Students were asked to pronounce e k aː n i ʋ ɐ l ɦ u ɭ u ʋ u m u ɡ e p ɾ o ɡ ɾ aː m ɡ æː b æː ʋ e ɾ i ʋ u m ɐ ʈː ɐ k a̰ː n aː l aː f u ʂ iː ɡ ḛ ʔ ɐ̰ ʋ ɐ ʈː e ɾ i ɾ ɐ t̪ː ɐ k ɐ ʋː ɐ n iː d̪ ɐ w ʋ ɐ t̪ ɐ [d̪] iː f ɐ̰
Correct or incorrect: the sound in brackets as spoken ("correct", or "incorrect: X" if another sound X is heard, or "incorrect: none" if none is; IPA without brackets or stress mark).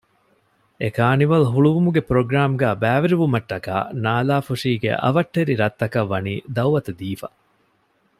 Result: correct